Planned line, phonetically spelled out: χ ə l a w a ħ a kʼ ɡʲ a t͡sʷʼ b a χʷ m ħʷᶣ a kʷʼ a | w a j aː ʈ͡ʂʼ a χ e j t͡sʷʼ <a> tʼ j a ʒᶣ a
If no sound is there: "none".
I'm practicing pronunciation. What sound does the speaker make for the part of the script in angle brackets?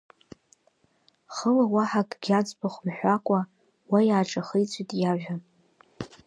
i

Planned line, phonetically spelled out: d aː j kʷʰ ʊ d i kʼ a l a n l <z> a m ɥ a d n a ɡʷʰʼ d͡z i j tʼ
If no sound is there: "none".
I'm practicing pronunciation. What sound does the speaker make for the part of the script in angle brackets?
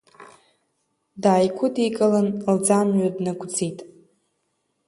d͡z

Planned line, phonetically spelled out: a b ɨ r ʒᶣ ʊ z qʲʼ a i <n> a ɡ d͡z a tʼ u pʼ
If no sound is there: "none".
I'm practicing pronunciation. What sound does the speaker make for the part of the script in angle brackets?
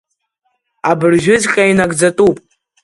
n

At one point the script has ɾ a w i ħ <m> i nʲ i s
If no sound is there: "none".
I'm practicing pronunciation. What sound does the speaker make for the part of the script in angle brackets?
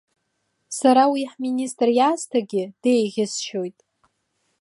m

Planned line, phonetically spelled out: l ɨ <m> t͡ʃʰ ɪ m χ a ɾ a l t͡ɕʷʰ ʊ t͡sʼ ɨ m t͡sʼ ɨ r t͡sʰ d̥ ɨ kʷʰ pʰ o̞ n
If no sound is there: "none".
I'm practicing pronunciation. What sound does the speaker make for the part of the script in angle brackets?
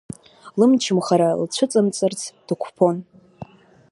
m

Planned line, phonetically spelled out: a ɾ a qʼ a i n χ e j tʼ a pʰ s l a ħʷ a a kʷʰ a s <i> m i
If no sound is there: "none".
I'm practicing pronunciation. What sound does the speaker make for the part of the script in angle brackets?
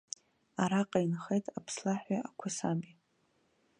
a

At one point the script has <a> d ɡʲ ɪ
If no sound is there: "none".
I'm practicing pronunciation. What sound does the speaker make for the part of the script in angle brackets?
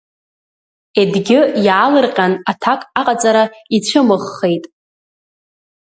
e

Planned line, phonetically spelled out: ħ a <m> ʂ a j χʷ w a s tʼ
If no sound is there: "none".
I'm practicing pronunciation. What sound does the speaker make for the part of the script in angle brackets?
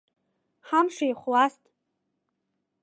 m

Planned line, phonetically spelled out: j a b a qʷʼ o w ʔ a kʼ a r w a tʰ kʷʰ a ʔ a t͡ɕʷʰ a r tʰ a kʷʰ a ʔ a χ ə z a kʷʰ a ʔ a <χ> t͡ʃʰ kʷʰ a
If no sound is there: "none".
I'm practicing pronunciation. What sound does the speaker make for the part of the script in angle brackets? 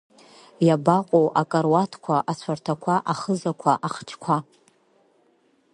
χ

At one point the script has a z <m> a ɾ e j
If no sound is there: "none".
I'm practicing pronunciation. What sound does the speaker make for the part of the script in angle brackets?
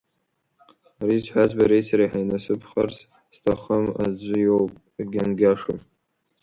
b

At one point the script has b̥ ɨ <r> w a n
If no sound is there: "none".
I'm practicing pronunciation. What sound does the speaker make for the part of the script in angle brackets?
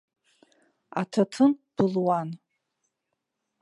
l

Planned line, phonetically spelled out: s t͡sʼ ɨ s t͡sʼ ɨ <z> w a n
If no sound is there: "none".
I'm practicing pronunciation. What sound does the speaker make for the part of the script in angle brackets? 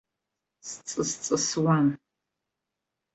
s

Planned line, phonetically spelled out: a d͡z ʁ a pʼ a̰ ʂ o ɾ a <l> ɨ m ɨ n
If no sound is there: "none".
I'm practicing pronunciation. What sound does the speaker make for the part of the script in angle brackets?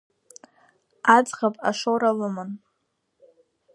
l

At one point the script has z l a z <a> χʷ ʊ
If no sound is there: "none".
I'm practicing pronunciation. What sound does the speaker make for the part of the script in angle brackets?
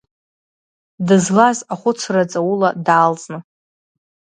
a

